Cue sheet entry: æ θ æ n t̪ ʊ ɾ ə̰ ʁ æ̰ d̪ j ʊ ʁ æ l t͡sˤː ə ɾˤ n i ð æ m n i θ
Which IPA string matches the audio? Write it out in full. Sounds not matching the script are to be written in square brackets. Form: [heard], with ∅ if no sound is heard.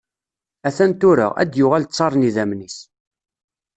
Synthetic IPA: æ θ æ n t̪ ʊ ɾ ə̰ ʁ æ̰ d̪ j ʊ ʁ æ l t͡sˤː [ɑ] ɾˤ n i ð æ m n i [s]